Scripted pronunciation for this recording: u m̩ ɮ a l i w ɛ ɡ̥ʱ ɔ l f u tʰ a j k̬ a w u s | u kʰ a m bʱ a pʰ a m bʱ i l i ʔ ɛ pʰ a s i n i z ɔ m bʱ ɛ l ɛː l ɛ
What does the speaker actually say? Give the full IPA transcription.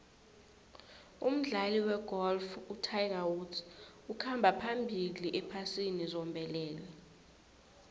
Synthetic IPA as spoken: u m̩ ɮ a l i w ɛ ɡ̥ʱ ɔ l f u tʰ a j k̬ a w u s | u kʰ a m bʱ a pʰ a m bʱ i l i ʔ ɛ pʰ a s i n i z ɔ m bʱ ɛ l ɛː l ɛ